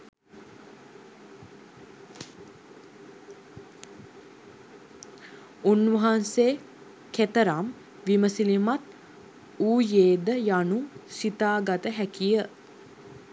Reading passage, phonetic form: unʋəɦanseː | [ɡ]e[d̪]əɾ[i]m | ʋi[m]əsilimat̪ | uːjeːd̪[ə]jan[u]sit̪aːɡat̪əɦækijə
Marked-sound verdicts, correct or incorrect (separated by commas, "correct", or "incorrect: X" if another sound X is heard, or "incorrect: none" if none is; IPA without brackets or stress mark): incorrect: k, incorrect: t̪, incorrect: a, correct, correct, correct